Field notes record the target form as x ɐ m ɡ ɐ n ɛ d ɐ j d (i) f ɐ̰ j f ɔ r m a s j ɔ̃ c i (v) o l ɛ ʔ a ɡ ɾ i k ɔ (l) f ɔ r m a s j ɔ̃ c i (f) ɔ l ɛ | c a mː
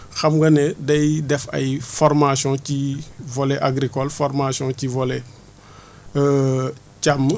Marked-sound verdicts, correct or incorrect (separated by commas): incorrect, correct, correct, incorrect